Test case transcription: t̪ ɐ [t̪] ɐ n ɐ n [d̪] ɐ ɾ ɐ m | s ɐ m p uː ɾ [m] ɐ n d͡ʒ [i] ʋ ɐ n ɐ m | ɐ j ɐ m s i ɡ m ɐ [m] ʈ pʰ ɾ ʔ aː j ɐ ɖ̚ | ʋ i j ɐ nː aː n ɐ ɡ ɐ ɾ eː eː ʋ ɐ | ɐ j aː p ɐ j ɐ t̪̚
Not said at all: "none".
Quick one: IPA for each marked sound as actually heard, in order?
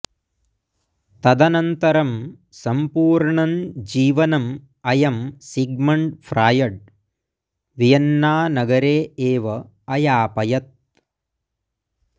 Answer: d̪, t̪, ɳ, iː, ɳ

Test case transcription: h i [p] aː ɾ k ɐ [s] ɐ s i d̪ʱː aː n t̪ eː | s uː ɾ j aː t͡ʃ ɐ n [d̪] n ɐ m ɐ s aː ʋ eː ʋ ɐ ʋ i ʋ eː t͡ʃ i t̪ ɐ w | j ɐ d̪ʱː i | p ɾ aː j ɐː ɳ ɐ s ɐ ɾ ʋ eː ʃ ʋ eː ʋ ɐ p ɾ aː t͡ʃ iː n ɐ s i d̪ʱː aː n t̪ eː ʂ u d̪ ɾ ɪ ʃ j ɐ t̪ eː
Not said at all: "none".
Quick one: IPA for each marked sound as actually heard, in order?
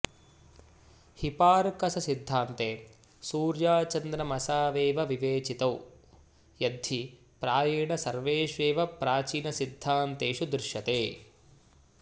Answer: p, s, d̪

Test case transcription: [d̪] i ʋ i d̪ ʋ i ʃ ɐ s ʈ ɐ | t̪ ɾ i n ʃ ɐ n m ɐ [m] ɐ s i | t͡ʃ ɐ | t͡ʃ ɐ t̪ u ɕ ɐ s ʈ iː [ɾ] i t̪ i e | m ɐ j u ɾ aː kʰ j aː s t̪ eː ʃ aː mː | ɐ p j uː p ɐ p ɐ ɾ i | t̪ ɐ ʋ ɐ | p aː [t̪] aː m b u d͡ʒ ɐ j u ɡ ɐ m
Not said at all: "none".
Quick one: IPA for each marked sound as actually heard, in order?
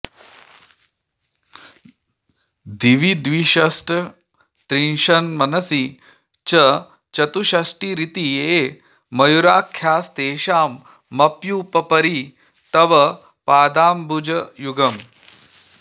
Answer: d̪, n, ɾ, d̪

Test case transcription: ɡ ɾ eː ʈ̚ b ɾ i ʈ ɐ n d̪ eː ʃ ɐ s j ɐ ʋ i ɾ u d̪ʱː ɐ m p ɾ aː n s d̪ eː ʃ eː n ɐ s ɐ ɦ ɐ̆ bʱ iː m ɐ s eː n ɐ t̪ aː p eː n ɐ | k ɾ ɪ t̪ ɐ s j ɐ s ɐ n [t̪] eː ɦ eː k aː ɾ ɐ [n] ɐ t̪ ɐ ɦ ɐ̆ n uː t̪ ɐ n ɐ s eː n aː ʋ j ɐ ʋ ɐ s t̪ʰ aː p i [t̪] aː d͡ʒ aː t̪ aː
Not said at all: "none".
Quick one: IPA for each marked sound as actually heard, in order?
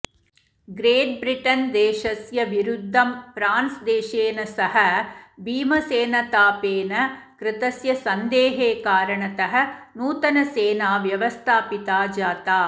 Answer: d̪, ɳ, t̪

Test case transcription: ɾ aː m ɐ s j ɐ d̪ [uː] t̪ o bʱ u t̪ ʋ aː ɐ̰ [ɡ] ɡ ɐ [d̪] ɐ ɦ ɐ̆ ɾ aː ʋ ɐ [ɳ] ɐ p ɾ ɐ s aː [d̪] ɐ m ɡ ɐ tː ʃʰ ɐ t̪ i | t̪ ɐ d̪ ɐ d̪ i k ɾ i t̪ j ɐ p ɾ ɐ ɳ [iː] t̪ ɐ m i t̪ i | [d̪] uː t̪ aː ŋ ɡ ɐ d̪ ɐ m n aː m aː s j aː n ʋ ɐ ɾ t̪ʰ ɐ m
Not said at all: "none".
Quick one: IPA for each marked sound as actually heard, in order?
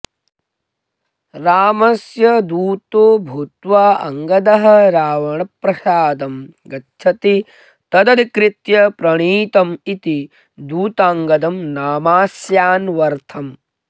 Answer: uː, ŋ, d̪, ɳ, d̪, iː, d̪

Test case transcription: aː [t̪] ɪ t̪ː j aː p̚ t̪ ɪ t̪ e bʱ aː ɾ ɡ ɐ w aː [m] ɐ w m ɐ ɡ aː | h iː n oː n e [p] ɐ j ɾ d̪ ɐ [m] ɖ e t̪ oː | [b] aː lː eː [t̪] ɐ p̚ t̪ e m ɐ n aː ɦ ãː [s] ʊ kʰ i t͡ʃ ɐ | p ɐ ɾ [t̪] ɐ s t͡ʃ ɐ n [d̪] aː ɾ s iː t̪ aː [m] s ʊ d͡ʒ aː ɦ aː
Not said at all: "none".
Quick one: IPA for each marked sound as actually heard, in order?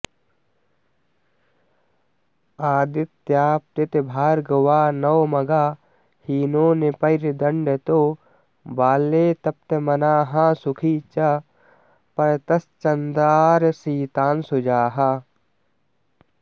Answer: d̪, n, p, ɳ, b, t̪, s, t̪, d̪, n

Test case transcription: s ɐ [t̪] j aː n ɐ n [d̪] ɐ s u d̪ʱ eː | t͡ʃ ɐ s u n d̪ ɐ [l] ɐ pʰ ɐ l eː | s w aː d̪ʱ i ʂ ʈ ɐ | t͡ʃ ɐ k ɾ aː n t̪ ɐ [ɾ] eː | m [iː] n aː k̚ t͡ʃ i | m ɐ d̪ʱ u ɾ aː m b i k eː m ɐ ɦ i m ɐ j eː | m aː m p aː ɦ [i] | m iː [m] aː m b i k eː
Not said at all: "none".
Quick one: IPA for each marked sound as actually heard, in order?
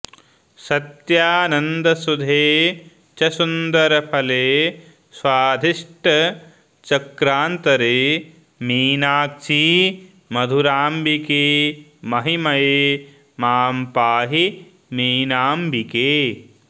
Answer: t̪, d̪, ɾ, ɾ, iː, i, n

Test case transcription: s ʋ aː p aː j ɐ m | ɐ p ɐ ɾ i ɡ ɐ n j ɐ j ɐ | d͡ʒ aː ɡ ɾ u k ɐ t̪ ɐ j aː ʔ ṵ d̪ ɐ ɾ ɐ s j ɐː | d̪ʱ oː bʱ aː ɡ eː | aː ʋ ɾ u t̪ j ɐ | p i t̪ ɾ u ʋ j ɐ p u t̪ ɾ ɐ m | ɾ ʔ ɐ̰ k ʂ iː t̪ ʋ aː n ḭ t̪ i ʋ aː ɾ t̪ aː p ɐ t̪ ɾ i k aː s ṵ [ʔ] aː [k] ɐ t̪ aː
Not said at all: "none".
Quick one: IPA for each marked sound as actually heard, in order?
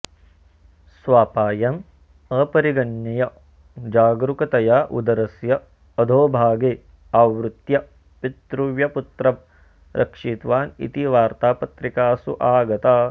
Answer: ʔ, ɡ

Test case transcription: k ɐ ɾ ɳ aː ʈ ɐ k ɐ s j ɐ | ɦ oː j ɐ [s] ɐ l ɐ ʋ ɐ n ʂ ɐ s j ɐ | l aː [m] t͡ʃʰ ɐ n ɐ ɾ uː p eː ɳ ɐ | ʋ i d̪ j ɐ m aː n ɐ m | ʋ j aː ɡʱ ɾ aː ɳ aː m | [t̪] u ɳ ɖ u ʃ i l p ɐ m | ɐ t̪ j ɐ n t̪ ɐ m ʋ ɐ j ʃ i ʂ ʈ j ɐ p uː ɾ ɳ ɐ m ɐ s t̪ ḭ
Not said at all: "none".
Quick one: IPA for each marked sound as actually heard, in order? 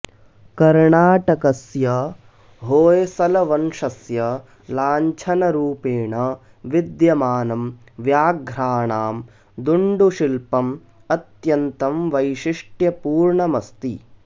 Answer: s, ɲ, d̪

